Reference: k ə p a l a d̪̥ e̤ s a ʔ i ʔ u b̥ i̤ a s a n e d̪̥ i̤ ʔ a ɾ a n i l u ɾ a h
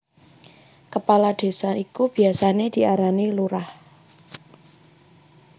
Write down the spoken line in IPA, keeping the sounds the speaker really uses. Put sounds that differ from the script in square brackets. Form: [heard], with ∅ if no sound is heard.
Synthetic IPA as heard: k ə p a l a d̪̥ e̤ s a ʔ i [k] u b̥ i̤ a s a n e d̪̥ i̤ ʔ a ɾ a n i l u ɾ a h